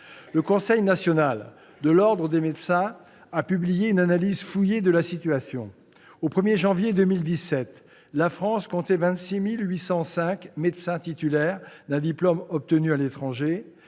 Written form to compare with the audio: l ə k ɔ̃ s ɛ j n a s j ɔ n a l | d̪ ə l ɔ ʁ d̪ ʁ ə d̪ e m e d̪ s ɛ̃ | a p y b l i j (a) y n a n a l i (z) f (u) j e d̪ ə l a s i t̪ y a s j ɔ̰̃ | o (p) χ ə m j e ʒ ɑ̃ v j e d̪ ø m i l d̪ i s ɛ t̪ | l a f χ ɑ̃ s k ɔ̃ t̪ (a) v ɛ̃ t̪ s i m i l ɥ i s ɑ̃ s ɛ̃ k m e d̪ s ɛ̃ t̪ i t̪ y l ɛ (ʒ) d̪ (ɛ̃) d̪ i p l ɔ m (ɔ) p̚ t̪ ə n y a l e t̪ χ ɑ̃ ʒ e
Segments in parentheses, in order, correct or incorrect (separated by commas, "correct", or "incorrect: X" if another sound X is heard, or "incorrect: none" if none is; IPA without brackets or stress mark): incorrect: e, correct, correct, correct, incorrect: ɛ, incorrect: ʁ, correct, correct